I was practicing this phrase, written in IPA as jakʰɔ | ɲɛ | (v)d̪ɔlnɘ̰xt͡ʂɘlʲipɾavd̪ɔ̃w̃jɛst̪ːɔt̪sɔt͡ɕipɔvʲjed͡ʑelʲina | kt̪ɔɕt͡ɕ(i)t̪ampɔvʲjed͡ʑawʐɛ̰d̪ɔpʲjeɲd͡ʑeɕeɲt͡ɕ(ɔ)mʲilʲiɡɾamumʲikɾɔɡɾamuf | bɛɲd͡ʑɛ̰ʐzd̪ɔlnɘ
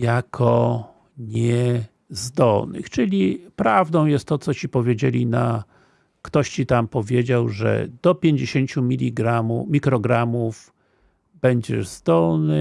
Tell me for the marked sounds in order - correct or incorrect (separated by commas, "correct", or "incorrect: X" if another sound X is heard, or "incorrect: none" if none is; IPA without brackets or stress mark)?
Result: incorrect: z, correct, incorrect: u